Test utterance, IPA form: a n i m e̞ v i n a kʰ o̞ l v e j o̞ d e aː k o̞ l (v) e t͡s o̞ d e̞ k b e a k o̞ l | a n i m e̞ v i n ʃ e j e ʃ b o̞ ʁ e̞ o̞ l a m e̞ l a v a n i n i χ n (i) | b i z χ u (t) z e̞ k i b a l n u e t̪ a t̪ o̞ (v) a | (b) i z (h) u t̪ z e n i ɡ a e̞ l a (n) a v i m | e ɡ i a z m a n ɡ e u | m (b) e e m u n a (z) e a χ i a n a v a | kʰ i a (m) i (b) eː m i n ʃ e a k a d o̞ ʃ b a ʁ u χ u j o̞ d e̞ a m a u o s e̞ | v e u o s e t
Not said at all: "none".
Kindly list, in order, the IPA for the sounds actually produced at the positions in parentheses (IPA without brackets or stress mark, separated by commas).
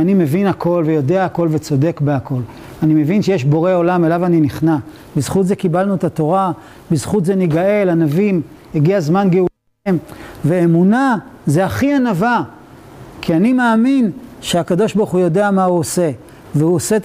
v, a, t, ʁ, b, χ, n, v, z, n, m